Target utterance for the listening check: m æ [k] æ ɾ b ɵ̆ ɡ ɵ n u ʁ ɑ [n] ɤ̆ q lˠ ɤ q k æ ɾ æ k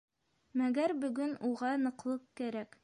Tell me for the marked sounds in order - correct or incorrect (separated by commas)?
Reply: incorrect, correct